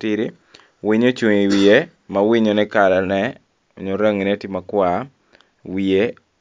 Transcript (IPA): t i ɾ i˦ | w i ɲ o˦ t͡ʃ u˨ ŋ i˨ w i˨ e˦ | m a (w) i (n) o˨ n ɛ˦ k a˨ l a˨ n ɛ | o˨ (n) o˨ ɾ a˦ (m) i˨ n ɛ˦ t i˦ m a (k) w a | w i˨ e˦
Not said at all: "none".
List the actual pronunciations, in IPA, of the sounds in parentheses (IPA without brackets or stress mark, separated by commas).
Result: w, ɲ, ɲ, ŋ, k